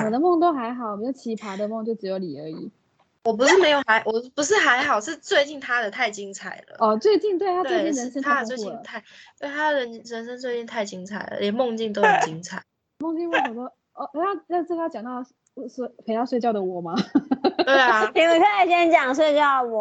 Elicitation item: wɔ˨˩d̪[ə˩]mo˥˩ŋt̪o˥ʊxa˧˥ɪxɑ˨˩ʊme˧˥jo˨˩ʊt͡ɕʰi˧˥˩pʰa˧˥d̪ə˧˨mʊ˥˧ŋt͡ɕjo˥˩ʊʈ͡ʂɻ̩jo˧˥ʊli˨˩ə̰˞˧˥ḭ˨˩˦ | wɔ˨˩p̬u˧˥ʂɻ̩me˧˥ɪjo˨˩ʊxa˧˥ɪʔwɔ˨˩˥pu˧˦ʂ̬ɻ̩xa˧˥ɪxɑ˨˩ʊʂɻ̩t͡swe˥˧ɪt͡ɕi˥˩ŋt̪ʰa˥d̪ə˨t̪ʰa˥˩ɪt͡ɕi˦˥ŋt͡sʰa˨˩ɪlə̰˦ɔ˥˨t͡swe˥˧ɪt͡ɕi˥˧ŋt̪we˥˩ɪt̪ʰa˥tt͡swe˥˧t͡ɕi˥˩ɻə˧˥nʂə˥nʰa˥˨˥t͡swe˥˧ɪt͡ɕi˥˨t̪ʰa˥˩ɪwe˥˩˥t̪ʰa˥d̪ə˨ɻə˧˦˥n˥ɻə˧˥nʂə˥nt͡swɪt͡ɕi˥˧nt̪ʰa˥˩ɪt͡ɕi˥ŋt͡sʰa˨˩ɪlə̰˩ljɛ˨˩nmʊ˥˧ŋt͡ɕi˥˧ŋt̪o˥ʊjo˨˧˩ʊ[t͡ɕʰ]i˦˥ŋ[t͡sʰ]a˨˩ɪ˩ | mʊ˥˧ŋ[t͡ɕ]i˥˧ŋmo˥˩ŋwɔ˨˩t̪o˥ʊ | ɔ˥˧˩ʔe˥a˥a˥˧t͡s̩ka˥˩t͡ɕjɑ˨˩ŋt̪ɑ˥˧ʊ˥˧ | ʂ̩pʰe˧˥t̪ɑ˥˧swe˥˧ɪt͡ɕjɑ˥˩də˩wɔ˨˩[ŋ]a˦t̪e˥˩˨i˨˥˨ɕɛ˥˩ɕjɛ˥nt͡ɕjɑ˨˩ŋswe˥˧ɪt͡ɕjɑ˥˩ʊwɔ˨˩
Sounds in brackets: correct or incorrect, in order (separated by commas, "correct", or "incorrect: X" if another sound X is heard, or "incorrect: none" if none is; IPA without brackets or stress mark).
incorrect: ə˦, incorrect: t͡ɕ, correct, correct, incorrect: m